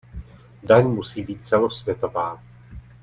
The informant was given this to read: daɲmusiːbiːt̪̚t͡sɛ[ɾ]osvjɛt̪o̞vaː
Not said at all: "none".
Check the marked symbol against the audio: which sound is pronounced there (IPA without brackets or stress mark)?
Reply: l